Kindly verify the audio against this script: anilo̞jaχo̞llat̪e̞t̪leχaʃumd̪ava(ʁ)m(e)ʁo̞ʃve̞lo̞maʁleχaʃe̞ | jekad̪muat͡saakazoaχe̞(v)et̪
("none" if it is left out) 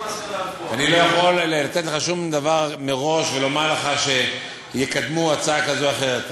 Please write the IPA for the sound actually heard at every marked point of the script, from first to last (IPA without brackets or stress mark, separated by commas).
ʁ, e, ʁ